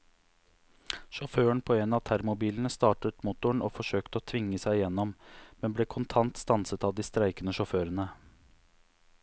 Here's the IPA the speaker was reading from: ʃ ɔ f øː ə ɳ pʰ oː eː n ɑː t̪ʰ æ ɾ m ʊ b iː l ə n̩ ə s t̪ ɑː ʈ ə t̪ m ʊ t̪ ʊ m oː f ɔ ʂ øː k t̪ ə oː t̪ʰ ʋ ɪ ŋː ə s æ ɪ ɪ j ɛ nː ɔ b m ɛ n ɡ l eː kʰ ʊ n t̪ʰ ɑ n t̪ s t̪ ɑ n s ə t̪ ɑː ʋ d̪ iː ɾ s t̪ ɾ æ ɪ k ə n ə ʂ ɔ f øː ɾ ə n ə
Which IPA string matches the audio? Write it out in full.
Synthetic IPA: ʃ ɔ f øː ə ɳ pʰ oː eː n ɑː t̪ʰ æ ɾ m ʊ b iː l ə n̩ ə s t̪ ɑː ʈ ə t̪ m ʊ t̪ ʊ ɳ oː f ɔ ʂ øː k t̪ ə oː t̪ʰ ʋ ɪ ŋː ə s æ ɪ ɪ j ɛ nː ɔ m m ɛ n b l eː kʰ ʊ n t̪ʰ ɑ n t̪ s t̪ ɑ n s ə t̪ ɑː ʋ d̪ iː s t̪ ɾ æ ɪ k ə n ə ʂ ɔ f øː ɾ ə n ə